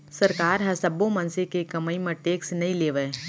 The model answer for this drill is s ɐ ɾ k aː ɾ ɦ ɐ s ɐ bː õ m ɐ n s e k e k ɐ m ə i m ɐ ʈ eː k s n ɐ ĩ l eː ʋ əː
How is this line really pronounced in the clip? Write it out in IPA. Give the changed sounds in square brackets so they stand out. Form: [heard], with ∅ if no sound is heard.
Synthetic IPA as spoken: s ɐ ɾ k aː ɾ ɦ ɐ s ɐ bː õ m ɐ n s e k e k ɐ m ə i m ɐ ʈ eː k s n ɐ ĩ l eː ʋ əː